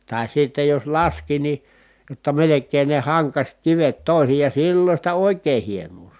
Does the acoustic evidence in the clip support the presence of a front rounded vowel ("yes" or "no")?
no